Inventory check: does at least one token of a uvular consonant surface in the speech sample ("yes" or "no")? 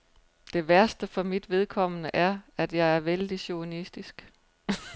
no